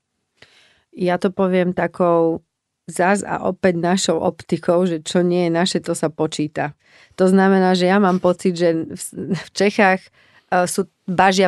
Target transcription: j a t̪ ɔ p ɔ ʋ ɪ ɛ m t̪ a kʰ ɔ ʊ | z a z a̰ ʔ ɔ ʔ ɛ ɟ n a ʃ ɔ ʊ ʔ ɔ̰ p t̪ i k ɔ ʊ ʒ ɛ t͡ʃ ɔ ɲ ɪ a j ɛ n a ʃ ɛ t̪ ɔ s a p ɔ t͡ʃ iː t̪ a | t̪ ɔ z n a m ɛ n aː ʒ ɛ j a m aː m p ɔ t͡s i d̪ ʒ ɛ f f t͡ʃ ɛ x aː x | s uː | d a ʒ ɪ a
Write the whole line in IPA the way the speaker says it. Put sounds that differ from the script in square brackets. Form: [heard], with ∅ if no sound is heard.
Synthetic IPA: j a t̪ ɔ p ɔ ʋ ɪ ɛ m t̪ a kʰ ɔ ʊ | z a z a̰ ʔ ɔ [p] ɛ ɟ n a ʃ ɔ ʊ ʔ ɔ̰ p t̪ i k ɔ ʊ ʒ ɛ t͡ʃ ɔ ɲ ɪ [ɛ] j ɛ n a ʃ ɛ t̪ ɔ s a p ɔ t͡ʃ iː t̪ a | t̪ ɔ z n a m ɛ n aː ʒ ɛ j a m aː m p ɔ t͡s i d̪ ʒ ɛ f f t͡ʃ ɛ x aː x | s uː | [b] a ʒ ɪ a